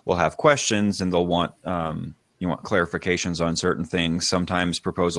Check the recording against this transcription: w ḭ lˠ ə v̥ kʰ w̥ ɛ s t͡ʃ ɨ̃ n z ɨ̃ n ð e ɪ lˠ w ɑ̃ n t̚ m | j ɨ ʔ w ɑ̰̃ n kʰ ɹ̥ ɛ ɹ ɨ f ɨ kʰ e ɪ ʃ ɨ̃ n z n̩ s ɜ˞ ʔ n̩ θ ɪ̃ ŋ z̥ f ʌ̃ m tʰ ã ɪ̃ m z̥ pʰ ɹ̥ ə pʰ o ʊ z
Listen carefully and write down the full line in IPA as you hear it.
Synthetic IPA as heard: w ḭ lˠ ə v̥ kʰ w̥ ɛ s t͡ʃ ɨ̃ n z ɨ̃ n ð e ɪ lˠ w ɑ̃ n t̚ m | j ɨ w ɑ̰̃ n kʰ l̥ ɛ ɹ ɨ f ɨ kʰ e ɪ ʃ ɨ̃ n z n̩ s ɜ˞ ʔ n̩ θ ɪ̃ ŋ z̥ s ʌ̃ m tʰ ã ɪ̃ m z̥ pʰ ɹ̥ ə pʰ o ʊ z